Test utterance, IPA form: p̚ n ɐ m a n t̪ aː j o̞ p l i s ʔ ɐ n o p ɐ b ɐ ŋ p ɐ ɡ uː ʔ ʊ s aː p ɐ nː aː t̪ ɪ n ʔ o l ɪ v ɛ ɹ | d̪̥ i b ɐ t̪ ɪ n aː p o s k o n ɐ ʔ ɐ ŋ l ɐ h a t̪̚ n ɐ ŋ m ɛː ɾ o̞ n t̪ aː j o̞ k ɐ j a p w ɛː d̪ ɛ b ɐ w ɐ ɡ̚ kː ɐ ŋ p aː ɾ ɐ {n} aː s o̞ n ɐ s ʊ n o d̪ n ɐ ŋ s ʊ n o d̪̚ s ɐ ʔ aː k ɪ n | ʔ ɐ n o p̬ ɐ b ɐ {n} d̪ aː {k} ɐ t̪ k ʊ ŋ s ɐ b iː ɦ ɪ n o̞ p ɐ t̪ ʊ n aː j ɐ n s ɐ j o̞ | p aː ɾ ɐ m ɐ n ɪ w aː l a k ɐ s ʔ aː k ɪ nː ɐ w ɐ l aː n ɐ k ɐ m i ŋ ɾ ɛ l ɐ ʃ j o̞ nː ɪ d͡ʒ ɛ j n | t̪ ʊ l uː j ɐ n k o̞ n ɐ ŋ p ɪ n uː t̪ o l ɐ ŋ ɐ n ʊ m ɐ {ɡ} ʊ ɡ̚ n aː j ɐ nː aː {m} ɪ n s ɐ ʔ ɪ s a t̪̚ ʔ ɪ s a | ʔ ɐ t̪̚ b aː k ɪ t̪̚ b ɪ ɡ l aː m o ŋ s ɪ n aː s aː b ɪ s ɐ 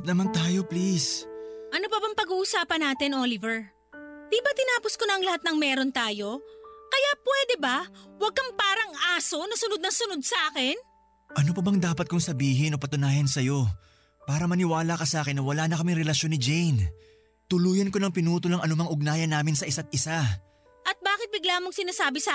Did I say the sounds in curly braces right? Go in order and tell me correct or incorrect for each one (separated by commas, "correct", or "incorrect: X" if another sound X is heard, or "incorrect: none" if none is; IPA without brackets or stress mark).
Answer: incorrect: ŋ, incorrect: ŋ, incorrect: p, incorrect: ŋ, correct